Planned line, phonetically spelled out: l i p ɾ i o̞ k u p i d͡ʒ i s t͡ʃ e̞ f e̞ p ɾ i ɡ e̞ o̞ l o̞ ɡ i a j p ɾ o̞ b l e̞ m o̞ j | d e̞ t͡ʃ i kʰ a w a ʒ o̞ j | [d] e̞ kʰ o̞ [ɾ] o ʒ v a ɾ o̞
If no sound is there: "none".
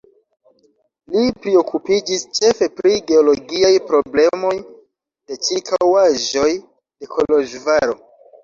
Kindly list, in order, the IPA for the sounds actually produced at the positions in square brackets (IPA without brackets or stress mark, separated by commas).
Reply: d, l